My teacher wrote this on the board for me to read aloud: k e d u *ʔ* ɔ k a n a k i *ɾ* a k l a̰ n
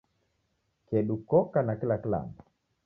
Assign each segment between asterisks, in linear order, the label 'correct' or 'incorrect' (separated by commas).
incorrect, incorrect